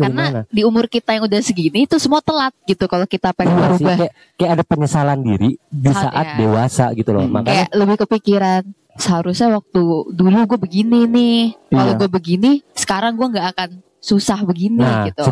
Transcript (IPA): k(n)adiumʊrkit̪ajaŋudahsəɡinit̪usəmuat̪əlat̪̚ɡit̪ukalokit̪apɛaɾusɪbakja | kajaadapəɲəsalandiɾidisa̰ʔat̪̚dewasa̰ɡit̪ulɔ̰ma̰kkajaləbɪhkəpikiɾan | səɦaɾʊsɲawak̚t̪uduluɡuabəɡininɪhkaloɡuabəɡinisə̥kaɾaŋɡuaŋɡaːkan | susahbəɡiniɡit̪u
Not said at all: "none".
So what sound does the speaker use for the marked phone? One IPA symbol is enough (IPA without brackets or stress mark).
n